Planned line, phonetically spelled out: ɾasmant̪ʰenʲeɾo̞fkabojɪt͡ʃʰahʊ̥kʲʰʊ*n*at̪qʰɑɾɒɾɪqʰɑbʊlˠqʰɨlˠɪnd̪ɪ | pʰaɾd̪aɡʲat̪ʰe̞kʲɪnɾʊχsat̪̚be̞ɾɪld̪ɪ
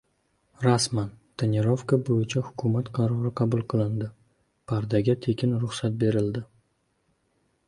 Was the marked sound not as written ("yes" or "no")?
yes